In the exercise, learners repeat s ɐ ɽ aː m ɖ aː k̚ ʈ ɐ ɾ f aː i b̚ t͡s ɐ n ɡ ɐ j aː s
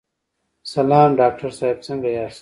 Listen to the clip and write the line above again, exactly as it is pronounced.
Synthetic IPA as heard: s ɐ l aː m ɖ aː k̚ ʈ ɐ ɾ s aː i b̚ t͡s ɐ ŋ ɡ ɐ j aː s